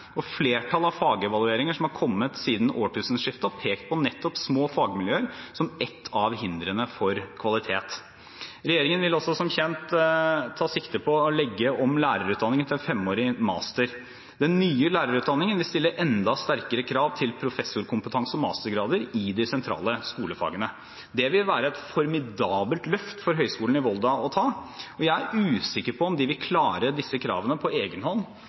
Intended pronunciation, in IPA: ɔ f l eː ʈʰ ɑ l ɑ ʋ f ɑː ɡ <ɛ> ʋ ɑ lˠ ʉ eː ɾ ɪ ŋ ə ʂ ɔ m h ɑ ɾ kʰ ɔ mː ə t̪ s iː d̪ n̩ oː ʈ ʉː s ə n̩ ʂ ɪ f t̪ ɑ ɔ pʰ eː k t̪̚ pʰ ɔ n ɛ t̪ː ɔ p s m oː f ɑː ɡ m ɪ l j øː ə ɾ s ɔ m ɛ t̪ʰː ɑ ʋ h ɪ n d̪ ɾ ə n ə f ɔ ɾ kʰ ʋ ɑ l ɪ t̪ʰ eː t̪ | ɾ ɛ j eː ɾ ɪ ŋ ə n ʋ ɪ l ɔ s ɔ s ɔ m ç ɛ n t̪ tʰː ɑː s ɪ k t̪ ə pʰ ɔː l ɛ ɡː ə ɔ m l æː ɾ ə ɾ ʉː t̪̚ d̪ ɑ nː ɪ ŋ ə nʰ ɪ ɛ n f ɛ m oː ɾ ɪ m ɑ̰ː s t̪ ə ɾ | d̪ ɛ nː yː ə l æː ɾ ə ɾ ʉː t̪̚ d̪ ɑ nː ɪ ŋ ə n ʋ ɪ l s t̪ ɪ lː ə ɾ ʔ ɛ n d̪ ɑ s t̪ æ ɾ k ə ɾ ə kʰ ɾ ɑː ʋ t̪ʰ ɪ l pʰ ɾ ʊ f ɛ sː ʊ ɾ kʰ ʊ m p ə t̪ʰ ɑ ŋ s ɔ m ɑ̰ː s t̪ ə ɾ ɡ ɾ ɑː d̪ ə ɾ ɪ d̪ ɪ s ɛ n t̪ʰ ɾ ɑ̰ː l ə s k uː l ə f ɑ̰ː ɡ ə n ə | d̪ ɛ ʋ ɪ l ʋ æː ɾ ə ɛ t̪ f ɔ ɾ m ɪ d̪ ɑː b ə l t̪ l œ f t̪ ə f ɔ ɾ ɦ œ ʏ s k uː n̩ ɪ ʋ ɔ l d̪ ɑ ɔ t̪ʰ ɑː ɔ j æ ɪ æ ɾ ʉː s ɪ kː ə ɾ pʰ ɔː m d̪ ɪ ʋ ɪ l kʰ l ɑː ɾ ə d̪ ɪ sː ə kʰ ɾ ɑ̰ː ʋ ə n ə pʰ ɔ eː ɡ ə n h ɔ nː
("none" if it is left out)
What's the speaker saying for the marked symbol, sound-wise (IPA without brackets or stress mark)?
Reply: ɛ